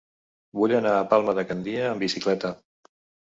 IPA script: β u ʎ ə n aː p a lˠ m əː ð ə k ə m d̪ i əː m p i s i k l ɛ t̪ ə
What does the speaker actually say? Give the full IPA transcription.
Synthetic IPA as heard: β u ʎ ə n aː p a lˠ m ə ð ə k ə n d̪ i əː m b i s i k l ɛ t̪ ə